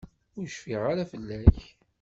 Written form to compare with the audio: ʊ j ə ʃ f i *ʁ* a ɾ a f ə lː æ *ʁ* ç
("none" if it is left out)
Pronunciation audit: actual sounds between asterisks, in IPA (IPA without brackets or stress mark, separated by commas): ʁ, none